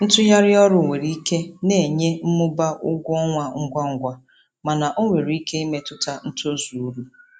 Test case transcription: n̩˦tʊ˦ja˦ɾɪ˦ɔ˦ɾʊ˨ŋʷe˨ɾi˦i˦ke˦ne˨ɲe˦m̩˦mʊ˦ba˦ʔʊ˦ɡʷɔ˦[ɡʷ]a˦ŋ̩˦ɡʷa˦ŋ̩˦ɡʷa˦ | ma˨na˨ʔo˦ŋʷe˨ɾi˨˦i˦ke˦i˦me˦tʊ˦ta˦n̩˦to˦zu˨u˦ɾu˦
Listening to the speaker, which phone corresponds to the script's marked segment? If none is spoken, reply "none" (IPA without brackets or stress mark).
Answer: ŋʷ